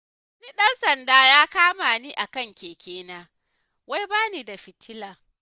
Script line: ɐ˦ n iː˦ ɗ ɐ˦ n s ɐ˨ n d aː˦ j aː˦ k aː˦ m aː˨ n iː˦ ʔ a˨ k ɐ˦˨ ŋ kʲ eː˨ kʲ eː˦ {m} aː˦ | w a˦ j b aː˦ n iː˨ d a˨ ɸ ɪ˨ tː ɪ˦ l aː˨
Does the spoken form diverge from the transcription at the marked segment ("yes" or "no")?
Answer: yes